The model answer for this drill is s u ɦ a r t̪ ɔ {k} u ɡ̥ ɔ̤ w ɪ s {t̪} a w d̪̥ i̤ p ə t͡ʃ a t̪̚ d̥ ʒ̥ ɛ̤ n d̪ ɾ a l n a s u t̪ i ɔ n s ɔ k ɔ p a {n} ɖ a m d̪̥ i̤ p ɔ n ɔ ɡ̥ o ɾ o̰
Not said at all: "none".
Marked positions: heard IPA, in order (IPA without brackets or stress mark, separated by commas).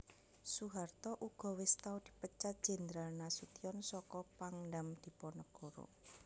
ʔ, t̪, ŋ